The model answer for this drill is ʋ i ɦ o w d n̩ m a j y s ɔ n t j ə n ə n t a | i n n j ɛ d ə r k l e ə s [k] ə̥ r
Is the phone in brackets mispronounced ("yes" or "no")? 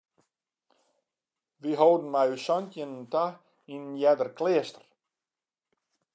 yes